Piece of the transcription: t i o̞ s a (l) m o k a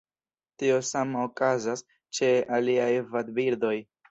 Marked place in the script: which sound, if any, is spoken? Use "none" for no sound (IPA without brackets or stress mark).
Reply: none